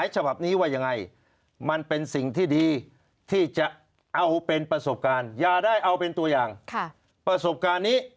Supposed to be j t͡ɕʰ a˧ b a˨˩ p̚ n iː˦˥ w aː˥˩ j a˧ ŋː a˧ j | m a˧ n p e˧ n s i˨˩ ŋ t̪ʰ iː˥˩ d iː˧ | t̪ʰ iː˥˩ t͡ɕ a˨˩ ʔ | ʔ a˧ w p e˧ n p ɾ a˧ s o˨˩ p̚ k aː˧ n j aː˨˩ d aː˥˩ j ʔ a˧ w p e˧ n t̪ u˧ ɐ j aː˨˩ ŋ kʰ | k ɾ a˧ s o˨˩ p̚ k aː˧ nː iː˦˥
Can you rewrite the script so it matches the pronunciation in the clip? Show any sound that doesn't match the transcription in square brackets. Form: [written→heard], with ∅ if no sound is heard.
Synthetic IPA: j t͡ɕʰ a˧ b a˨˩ p̚ n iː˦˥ w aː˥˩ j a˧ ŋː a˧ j | m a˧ n p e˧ n s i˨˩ ŋ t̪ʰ iː˥˩ d iː˧ | t̪ʰ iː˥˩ t͡ɕ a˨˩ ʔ | ʔ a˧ w p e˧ n p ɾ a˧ s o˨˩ p̚ k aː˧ n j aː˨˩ d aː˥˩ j ʔ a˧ w p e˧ n t̪ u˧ ɐ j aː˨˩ ŋ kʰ | [k→p] ɾ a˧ s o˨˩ p̚ k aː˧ nː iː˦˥